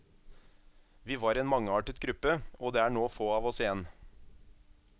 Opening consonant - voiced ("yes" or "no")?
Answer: yes